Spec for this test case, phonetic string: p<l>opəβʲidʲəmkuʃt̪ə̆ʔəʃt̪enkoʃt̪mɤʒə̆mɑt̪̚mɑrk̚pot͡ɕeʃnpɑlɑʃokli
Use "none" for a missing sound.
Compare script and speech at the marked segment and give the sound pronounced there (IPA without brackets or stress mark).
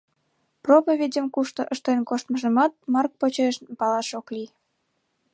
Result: r